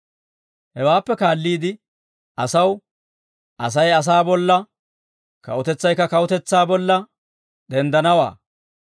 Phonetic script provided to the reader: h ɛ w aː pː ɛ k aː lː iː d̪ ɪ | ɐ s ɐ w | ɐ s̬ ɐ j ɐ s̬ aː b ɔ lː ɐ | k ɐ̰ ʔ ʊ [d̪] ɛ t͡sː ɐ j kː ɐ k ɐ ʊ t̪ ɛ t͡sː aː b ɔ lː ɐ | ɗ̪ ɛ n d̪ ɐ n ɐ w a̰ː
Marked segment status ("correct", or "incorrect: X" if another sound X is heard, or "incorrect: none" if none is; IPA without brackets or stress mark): incorrect: t̪